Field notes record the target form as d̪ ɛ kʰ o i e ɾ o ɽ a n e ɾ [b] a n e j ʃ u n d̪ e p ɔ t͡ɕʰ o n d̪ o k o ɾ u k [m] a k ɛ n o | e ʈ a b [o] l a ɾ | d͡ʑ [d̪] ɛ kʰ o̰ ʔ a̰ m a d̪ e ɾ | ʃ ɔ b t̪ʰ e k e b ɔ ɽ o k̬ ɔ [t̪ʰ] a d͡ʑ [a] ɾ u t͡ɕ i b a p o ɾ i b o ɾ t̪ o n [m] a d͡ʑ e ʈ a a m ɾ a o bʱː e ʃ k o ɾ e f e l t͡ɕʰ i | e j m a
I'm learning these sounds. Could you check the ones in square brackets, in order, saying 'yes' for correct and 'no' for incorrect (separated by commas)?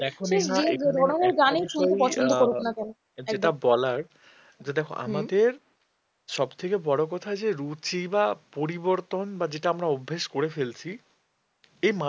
no, no, no, yes, yes, no, no